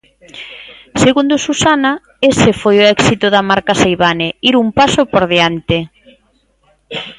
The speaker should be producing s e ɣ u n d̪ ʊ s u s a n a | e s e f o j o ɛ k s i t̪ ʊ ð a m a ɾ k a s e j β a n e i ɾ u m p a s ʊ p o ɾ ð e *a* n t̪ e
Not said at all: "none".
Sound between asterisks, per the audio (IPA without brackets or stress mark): a